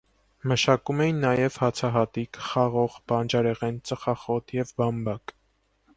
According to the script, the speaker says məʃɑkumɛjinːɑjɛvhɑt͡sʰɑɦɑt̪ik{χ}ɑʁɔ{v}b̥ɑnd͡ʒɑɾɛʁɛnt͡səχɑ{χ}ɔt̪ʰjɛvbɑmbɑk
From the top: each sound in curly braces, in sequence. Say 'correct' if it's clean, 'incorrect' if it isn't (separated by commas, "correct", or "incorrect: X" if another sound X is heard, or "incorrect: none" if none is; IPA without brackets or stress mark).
correct, incorrect: ʁ, correct